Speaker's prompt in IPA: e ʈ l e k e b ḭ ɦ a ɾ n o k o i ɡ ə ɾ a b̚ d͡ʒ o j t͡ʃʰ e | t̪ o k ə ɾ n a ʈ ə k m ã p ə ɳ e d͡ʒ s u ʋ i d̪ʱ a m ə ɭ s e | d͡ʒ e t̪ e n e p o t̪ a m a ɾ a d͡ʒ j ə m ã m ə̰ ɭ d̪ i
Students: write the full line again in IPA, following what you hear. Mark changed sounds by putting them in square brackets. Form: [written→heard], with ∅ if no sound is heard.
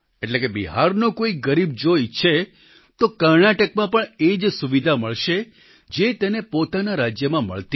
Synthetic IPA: e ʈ l e k e b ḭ ɦ a ɾ n o k o i ɡ ə ɾ [a→i] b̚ d͡ʒ o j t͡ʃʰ e | t̪ o k ə ɾ n a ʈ ə k m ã p ə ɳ e d͡ʒ s u ʋ i d̪ʱ a m ə ɭ [s→ʃ] e | d͡ʒ e t̪ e n e p o t̪ a [m→n] a ɾ a d͡ʒ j ə m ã m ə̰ ɭ [d̪→t̪] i

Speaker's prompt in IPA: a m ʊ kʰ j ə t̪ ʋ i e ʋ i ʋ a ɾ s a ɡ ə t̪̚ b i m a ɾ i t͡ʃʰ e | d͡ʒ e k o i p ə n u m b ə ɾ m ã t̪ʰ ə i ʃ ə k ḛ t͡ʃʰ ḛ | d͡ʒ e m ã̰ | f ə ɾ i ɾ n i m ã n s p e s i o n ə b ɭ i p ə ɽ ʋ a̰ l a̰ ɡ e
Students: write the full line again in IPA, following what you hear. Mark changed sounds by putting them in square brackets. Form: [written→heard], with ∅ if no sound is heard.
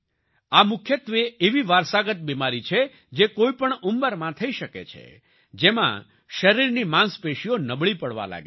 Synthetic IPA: a m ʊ kʰ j ə t̪ ʋ [i→e] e ʋ i ʋ a ɾ s a ɡ ə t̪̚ b i m a ɾ i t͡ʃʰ e | d͡ʒ e k o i p ə [n→ɳ] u m b ə ɾ m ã t̪ʰ ə i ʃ ə k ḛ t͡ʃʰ ḛ | d͡ʒ e m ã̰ | [f→ʃ] ə ɾ i ɾ n i m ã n s p e [s→ʃ] i o n ə b ɭ i p ə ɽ ʋ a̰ l a̰ ɡ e

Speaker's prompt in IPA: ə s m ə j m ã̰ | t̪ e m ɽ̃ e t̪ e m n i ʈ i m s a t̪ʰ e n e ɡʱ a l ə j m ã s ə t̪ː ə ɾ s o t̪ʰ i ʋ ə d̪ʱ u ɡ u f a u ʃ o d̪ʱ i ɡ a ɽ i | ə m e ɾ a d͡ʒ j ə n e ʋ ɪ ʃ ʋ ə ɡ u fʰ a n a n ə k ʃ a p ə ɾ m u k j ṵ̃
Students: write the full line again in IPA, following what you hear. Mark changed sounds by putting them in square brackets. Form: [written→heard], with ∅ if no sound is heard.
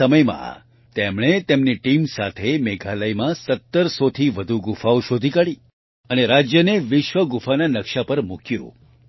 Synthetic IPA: ə [s→∅] m ə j m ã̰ | t̪ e m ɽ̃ e t̪ e m n i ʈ i m s a t̪ʰ e [n→m] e ɡʱ a l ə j m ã s ə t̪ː ə ɾ s o t̪ʰ i ʋ ə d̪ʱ u ɡ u f a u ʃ o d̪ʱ i [ɡ→k] a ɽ i | ə [m→n] e ɾ a d͡ʒ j ə n e ʋ ɪ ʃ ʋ ə ɡ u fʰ a n a n ə k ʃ a p ə ɾ m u k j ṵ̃

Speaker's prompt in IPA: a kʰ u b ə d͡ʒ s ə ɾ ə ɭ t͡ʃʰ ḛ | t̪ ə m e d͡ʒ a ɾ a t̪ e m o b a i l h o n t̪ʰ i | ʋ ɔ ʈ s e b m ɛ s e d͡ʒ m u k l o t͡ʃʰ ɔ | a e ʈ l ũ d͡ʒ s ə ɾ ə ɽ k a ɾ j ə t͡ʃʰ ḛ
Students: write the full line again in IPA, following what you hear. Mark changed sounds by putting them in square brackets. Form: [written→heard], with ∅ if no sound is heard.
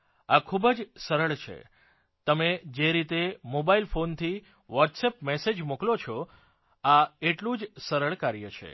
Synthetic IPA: a kʰ u b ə d͡ʒ s ə ɾ ə ɭ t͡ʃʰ ḛ | t̪ ə m e d͡ʒ [a→e] ɾ [a→i] t̪ e m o b a i l [h→f] o n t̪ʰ i | ʋ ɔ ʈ s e [b→p] m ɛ s e d͡ʒ m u k l o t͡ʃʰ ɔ | a e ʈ l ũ d͡ʒ s ə ɾ ə [ɽ→ɭ] k a ɾ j ə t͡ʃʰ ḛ

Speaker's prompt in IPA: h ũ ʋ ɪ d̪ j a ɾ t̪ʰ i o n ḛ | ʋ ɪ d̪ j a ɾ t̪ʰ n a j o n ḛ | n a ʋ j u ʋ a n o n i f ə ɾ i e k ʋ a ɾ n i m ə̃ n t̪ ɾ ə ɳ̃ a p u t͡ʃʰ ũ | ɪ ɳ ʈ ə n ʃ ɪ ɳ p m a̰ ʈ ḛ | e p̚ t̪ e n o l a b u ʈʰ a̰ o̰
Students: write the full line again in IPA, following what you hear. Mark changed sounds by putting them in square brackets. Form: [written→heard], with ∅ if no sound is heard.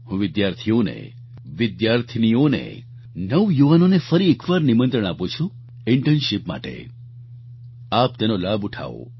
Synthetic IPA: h ũ ʋ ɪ d̪ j a ɾ t̪ʰ i o n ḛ | ʋ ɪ d̪ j a ɾ t̪ʰ n [a→i] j o n ḛ | n [a→ə] ʋ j u ʋ a n o n [i→e] f ə ɾ i e k ʋ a ɾ n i m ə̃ n t̪ ɾ ə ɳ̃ a p u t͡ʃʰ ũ | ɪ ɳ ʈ ə n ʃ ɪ [ɳ→∅] p m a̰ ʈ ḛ | [e→a] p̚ t̪ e n o l a b u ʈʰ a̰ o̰

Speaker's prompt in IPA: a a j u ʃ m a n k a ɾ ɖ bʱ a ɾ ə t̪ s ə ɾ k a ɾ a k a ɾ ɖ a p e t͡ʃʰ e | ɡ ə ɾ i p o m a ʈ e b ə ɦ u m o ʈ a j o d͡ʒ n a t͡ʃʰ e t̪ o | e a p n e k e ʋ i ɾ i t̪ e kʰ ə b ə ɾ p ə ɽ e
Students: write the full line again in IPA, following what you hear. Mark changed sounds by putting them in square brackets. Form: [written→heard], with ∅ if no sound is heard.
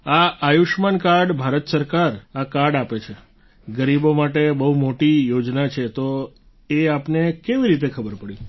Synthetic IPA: a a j u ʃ m a n k a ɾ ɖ bʱ a ɾ ə t̪ s ə ɾ k a ɾ a k a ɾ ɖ a p e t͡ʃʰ e | ɡ ə ɾ i [p→b] o m a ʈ e b ə ɦ u m o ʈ [a→i] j o d͡ʒ n a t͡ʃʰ e t̪ o | e a p n e k e ʋ i ɾ i t̪ e kʰ ə b ə ɾ p ə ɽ [e→i]

